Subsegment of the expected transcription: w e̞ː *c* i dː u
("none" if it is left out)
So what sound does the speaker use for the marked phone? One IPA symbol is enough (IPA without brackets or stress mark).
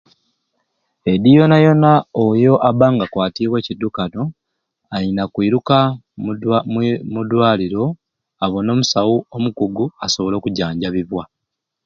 c